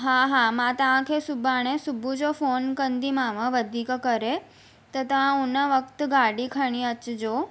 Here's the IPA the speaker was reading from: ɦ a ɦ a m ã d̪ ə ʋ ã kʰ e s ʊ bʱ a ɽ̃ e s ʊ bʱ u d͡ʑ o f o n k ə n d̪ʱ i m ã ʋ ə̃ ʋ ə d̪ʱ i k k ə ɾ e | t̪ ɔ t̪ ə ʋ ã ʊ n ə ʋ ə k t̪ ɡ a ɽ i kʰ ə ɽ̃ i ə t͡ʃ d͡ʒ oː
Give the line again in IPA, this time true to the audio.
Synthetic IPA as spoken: ɦ a ɦ a m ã t̪ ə ʋ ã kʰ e s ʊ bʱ a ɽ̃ e s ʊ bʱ u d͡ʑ o f o n k ə n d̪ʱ i m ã ʋ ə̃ ʋ ə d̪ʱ i k k ə ɾ e | t̪ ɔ t̪ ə ʋ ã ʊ n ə ʋ ə k t̪ ɡ a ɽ i kʰ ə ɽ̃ i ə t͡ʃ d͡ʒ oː